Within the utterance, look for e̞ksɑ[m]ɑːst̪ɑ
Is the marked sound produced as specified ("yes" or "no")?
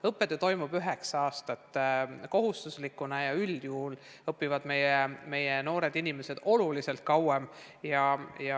no